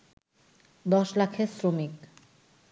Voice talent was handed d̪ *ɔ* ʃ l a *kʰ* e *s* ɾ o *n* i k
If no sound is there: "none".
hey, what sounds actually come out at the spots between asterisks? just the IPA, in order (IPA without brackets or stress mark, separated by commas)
ɔ, kʰ, s, m